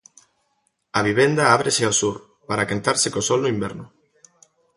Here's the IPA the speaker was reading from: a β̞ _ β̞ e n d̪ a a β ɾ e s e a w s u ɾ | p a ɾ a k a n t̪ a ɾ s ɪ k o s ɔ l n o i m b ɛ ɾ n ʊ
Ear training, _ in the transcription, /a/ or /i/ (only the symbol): i